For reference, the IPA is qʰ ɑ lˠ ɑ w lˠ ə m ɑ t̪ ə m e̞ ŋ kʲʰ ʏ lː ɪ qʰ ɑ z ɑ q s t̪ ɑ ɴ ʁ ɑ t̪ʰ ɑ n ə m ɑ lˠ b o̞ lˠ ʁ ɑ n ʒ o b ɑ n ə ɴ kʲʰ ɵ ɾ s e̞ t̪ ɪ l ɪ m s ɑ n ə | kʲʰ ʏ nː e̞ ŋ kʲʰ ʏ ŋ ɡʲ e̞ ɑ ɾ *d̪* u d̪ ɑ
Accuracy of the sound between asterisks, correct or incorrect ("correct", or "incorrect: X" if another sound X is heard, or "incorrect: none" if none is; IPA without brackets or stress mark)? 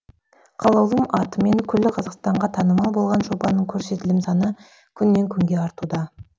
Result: incorrect: t̪